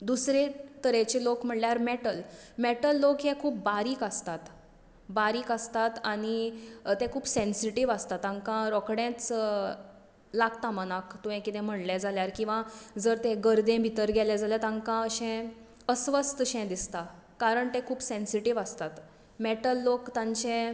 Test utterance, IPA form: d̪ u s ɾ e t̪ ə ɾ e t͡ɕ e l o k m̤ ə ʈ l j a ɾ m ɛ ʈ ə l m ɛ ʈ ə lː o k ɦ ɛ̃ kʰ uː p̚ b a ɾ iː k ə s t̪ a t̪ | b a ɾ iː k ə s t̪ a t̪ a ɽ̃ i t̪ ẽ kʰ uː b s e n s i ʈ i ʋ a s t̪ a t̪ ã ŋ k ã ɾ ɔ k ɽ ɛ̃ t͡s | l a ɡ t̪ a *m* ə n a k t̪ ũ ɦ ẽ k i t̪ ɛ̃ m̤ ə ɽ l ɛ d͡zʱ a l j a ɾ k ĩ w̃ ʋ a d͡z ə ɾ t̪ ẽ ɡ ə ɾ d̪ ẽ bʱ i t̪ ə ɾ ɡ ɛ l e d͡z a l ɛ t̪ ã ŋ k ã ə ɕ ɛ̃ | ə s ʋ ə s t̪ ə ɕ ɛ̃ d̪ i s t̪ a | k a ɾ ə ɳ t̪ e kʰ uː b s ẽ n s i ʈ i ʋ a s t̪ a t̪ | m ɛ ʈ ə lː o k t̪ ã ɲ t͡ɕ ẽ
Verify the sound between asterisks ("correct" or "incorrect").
correct